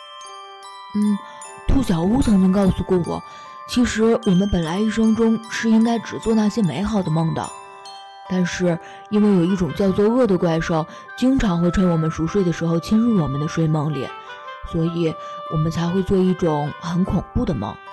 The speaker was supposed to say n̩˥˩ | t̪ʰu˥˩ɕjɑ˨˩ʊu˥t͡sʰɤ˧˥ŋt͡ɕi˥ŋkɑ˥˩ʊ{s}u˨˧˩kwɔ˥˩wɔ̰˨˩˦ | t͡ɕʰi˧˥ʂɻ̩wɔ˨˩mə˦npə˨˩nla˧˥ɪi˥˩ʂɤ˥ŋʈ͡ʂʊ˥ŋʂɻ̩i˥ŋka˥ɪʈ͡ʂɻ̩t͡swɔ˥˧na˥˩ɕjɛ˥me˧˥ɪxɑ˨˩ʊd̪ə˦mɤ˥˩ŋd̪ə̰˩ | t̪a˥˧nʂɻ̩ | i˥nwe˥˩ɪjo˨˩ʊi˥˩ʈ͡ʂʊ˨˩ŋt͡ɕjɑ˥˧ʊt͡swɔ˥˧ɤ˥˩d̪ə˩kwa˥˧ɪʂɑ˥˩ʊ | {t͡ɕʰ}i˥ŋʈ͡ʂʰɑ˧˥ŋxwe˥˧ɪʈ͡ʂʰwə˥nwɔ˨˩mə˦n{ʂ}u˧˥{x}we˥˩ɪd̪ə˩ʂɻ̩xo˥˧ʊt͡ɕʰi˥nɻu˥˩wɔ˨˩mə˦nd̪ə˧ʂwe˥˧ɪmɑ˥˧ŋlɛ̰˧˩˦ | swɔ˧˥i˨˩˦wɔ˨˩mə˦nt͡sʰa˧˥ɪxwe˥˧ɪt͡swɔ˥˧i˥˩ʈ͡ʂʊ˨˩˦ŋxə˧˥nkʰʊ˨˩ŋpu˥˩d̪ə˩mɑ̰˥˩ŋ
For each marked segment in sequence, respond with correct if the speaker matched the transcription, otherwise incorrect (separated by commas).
correct, incorrect, correct, incorrect